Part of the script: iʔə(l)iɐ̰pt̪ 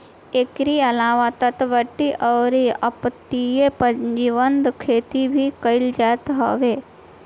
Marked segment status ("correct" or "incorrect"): incorrect